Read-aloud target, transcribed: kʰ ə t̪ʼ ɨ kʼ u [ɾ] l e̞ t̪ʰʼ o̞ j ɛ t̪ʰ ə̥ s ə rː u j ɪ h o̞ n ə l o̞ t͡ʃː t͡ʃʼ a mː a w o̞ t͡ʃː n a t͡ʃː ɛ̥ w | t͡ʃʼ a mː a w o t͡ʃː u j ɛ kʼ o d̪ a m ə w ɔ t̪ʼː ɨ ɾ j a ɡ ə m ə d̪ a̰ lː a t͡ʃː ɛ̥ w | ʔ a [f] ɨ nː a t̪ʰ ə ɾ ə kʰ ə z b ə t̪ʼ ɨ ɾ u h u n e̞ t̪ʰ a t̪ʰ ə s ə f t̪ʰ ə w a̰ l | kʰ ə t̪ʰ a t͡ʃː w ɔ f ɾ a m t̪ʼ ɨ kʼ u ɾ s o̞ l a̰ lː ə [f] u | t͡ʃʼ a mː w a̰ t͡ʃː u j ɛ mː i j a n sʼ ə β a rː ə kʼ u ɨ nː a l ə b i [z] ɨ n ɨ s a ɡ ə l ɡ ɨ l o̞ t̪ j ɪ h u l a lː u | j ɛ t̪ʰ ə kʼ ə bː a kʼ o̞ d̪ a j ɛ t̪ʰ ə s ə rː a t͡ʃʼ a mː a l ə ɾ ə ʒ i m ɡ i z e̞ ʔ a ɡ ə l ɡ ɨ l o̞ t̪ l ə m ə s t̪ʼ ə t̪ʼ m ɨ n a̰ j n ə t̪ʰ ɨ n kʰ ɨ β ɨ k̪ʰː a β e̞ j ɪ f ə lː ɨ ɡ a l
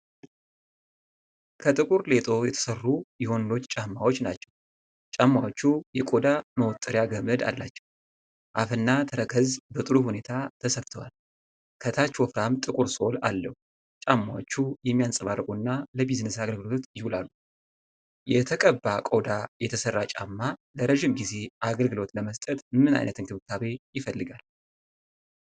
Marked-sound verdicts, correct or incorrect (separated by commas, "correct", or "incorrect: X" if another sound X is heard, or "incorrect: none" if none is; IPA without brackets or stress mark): correct, correct, incorrect: h, correct